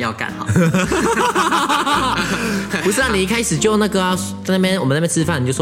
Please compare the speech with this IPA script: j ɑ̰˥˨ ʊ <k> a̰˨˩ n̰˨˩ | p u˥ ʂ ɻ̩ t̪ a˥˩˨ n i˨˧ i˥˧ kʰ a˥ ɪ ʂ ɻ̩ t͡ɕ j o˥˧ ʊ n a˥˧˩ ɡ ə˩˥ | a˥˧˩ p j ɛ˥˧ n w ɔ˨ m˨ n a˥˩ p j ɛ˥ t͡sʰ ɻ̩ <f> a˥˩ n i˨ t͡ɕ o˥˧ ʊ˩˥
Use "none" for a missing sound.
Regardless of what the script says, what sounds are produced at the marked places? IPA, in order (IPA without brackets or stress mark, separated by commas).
k, f